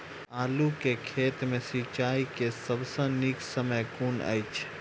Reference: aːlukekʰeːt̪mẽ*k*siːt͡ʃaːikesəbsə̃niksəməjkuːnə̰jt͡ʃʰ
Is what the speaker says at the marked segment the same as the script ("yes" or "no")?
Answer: no